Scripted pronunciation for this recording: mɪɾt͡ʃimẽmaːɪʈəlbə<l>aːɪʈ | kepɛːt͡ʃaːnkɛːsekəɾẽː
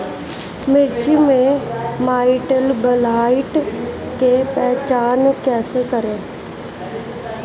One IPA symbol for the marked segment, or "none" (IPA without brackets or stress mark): l